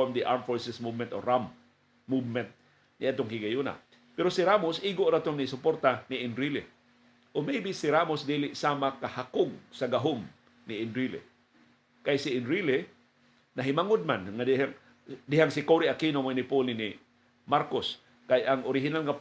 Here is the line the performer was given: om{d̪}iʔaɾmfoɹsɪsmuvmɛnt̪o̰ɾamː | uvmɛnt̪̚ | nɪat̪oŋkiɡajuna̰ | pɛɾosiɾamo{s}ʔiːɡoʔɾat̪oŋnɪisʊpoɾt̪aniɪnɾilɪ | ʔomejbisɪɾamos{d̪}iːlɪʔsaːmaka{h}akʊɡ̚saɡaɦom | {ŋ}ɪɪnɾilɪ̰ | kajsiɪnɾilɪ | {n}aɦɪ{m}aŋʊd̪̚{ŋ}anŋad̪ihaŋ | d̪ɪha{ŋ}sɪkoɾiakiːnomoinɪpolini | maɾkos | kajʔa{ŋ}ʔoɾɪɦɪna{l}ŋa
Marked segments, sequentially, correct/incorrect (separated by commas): correct, correct, correct, correct, incorrect, correct, correct, incorrect, correct, correct, correct